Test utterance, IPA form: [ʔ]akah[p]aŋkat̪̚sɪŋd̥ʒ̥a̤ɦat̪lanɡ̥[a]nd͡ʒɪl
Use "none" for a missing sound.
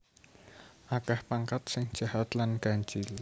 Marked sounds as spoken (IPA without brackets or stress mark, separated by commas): ʔ, p, a